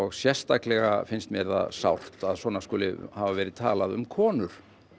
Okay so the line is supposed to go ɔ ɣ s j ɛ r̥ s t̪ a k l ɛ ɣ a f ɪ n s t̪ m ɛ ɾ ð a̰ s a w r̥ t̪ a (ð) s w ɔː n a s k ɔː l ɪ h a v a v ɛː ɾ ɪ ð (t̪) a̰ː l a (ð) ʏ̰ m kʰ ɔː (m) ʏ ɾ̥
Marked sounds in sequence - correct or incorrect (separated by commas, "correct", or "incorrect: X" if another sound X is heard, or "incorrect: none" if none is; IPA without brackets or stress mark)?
correct, incorrect: t̪ʰ, correct, incorrect: n